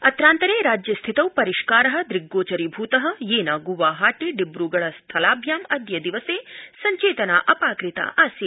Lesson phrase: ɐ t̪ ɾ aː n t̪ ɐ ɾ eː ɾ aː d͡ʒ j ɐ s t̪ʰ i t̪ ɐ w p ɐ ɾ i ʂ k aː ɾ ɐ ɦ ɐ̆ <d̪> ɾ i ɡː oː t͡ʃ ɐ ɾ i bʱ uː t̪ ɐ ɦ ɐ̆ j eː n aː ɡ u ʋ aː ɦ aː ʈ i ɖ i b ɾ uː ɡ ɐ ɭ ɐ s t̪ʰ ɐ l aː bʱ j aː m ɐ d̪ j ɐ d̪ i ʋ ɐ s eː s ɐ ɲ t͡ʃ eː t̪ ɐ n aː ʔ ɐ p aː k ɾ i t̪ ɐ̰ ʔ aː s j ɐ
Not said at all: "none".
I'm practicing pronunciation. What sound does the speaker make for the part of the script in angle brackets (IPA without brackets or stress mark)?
d̪